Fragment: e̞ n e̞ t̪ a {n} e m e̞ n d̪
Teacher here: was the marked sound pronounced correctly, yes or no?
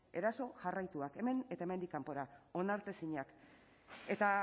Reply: no